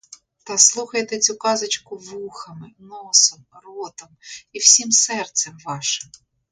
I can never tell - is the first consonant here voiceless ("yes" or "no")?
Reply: yes